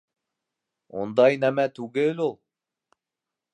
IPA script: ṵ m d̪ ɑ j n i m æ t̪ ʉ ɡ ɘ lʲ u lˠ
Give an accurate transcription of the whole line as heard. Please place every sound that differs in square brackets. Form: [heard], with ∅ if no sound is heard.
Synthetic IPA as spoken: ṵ [n] d̪ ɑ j n [æ] m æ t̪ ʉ ɡ ɘ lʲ u lˠ